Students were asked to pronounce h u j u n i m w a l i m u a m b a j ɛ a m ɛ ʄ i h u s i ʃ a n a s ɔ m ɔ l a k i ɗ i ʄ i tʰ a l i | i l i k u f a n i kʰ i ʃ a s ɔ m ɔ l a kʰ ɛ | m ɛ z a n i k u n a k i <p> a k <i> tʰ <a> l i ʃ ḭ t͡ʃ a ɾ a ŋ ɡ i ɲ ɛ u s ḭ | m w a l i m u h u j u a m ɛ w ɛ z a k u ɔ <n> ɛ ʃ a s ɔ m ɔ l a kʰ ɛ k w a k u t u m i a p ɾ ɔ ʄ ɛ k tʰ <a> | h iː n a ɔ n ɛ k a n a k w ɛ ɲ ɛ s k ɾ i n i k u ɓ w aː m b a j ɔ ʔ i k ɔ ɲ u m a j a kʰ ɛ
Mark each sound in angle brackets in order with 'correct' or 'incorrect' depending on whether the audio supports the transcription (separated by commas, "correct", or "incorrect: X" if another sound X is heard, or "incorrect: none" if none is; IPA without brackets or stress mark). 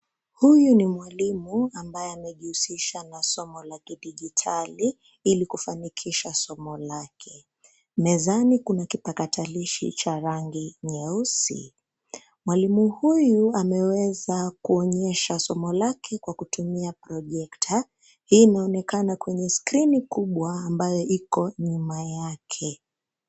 correct, incorrect: a, correct, incorrect: ɲ, correct